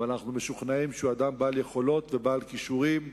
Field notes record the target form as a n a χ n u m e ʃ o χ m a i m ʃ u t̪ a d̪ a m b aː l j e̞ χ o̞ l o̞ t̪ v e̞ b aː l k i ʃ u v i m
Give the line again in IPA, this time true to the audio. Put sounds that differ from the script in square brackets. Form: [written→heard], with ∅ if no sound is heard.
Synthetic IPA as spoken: a n a χ n u m e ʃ [o→u] χ [m→n] a i m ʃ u [t̪→∅] a d̪ a m b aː l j e̞ χ o̞ l o̞ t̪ v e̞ b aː l k i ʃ u [v→ʁ] i m